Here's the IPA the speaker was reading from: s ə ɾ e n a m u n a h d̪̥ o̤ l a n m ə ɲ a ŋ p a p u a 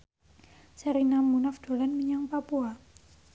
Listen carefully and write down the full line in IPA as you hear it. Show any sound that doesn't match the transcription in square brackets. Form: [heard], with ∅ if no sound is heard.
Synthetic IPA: s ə ɾ [i] n a m u n a [f] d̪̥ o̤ l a n m ə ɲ a ŋ p a p u a